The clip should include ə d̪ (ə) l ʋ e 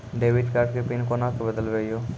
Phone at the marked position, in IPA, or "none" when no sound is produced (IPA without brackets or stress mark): ə